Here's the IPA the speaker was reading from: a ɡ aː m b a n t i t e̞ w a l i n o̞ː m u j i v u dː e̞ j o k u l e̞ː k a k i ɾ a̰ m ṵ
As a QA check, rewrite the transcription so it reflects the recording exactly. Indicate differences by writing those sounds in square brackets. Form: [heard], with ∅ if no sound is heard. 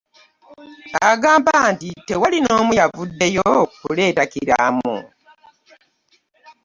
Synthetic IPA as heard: a ɡ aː m b a n t i t e̞ w a l i n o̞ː m u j [a] v u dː e̞ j o k u l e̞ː [t] a k i ɾ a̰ m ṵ